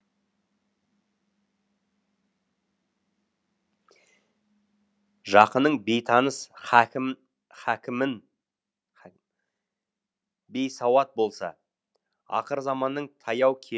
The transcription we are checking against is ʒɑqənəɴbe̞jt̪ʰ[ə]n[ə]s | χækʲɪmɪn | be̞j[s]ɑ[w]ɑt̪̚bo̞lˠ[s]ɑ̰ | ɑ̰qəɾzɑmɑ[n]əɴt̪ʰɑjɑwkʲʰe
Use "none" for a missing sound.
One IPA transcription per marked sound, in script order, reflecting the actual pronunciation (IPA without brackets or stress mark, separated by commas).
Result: ɑ, ə, s, w, s, nː